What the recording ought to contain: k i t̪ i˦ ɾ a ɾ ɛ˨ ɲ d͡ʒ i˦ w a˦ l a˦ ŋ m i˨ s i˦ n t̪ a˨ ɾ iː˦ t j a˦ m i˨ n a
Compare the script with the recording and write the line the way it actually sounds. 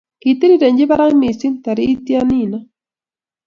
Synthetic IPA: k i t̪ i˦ ɾ i ɾ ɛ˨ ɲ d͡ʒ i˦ β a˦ ɾ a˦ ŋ m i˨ s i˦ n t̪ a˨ ɾ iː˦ t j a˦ n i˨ n a